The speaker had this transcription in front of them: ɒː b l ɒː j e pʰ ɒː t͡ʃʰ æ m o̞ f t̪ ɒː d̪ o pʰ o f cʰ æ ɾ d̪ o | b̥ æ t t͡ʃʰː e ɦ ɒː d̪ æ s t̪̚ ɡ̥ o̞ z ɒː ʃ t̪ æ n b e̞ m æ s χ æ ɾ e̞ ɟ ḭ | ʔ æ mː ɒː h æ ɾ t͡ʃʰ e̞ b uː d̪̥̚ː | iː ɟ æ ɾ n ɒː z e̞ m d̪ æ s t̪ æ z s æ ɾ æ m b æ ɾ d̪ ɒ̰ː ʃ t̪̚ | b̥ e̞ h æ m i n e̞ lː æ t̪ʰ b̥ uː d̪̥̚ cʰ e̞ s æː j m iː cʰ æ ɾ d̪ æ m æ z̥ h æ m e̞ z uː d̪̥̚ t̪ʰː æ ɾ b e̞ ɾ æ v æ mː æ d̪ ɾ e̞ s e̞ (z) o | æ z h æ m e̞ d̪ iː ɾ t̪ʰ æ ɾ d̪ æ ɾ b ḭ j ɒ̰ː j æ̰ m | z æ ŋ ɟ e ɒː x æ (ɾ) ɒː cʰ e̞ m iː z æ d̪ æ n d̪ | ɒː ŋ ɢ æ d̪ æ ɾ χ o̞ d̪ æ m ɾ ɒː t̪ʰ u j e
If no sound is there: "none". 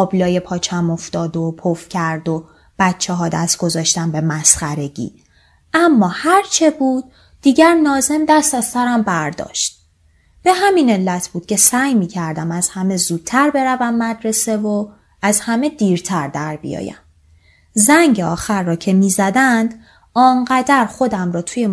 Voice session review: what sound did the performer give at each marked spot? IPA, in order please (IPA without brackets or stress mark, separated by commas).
v, ɾː